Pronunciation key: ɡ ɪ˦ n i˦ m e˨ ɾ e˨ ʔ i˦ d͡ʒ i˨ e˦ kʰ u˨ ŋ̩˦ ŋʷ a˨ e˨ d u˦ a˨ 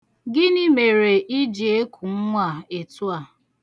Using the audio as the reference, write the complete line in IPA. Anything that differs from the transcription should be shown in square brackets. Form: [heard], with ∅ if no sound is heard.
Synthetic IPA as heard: ɡ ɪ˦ n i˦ m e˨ ɾ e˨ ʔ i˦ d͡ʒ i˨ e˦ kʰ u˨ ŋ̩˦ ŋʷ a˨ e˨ [t] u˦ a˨